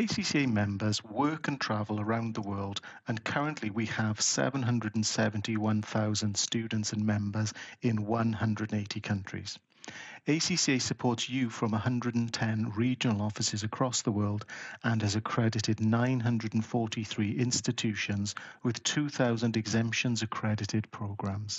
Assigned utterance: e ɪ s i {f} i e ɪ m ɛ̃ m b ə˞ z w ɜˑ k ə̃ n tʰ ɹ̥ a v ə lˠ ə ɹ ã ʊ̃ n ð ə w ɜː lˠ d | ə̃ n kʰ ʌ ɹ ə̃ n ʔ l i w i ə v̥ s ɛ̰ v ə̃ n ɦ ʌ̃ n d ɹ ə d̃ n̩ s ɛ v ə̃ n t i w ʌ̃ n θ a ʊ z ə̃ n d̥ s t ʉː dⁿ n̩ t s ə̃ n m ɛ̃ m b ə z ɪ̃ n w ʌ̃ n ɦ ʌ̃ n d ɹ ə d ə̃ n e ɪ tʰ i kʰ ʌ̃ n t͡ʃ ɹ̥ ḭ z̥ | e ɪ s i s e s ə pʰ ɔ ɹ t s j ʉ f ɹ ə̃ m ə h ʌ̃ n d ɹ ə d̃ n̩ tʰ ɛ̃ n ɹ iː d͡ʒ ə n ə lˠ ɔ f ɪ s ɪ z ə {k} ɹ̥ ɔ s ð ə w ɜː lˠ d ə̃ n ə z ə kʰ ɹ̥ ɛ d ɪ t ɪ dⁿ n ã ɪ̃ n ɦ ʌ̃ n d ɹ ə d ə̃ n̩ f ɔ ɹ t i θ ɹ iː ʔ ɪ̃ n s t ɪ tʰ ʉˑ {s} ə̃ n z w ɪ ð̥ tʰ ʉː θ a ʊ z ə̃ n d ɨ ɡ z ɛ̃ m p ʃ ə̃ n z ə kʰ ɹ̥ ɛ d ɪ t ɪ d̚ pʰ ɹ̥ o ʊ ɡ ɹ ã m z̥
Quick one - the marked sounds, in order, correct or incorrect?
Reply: incorrect, incorrect, incorrect

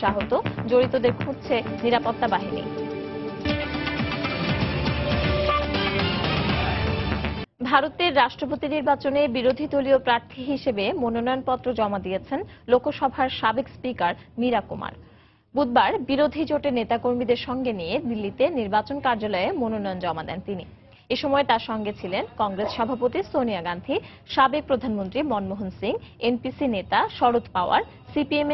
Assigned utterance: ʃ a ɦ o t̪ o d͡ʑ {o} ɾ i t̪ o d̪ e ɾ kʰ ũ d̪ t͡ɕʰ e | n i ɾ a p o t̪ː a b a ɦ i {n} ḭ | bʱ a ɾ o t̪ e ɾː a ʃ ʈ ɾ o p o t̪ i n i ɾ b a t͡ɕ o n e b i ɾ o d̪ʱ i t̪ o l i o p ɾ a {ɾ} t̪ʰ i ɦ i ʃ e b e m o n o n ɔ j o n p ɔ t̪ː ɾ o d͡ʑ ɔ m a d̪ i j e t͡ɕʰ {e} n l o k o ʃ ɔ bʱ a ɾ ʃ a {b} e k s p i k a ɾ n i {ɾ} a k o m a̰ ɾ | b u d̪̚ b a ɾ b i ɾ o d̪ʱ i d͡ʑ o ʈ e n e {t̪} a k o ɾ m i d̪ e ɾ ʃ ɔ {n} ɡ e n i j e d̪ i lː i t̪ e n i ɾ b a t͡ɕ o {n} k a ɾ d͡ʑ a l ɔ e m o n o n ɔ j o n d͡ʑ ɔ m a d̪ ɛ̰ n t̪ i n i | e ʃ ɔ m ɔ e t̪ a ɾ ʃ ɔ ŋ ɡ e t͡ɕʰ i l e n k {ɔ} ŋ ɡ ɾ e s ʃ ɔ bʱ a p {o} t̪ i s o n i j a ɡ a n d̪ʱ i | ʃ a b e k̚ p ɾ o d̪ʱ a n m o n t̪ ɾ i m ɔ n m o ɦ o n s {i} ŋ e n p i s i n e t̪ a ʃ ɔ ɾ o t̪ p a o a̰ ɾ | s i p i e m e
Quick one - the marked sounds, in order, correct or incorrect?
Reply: correct, correct, correct, correct, correct, correct, correct, incorrect, correct, correct, correct, correct

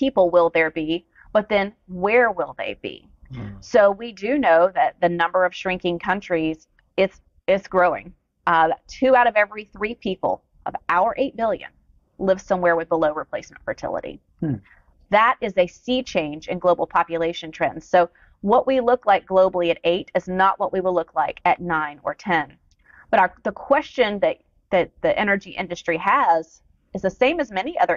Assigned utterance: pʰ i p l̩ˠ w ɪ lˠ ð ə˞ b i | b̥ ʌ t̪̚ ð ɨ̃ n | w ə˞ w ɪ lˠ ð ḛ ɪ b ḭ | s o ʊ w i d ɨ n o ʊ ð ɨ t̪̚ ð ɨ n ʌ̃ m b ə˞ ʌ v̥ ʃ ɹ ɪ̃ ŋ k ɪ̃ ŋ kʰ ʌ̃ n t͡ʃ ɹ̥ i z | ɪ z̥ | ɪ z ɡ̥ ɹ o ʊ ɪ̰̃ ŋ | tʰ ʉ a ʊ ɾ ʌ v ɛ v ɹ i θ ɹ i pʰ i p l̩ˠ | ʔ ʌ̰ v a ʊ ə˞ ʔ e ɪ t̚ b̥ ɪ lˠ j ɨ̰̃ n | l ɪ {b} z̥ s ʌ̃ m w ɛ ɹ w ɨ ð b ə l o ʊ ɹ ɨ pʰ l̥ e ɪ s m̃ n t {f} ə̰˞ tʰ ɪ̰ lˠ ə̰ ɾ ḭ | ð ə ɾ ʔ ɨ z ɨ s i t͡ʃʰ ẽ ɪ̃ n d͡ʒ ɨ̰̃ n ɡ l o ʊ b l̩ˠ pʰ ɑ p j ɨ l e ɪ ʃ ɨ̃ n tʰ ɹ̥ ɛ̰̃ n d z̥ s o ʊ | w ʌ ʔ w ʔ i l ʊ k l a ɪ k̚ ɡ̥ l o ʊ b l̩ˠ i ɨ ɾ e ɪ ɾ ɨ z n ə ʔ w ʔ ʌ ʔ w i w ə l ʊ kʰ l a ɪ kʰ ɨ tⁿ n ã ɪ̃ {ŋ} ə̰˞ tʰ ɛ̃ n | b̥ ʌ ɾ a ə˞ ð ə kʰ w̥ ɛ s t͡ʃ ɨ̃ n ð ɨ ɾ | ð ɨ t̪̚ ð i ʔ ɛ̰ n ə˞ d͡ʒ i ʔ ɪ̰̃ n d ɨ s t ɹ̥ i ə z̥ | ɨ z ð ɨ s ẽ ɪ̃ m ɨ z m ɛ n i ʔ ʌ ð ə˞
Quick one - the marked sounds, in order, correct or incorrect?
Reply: incorrect, correct, incorrect

